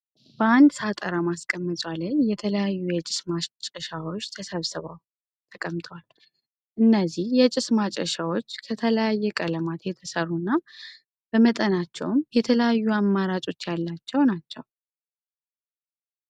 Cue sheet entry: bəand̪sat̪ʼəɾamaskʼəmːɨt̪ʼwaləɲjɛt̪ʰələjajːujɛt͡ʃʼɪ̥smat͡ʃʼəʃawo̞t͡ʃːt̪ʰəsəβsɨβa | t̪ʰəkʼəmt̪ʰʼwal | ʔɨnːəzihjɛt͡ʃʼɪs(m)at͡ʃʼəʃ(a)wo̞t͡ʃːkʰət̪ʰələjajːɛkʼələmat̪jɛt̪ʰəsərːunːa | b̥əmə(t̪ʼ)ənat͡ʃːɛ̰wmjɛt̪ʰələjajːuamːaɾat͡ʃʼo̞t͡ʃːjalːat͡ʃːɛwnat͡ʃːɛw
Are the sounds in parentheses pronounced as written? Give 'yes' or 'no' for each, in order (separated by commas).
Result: yes, yes, yes